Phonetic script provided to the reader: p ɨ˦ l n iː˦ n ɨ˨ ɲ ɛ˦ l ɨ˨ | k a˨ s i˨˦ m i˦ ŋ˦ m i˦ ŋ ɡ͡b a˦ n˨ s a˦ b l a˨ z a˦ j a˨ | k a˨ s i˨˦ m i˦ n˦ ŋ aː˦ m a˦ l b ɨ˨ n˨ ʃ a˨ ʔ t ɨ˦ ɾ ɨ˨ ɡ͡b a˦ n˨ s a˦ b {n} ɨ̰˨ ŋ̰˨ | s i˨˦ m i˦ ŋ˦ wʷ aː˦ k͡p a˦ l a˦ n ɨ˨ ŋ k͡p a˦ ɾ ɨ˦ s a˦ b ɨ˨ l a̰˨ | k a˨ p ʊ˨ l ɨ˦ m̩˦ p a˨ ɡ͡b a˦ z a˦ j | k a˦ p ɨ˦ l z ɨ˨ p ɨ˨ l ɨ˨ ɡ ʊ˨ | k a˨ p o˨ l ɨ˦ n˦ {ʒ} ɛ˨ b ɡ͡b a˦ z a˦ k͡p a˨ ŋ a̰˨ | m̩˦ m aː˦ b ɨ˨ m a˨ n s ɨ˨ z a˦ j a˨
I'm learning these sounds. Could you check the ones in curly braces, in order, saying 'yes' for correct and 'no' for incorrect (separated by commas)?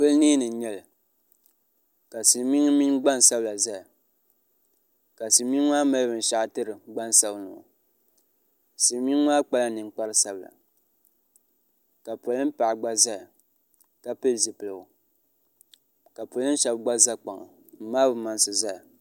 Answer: yes, no